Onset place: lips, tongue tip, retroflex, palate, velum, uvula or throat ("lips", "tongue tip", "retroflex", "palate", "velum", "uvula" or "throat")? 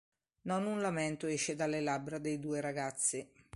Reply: tongue tip